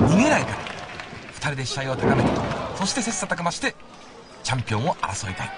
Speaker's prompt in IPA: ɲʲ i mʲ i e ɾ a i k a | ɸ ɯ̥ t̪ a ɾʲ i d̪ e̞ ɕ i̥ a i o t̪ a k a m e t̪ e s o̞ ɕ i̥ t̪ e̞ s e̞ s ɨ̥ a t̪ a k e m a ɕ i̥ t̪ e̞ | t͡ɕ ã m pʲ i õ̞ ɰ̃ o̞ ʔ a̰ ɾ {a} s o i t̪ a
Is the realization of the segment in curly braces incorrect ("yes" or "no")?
no